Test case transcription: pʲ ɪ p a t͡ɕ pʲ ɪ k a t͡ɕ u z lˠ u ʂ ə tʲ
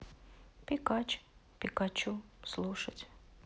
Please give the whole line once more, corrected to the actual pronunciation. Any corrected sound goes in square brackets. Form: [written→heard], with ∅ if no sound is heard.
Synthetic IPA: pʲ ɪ [p→k] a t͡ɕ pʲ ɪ k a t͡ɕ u [z→s] lˠ u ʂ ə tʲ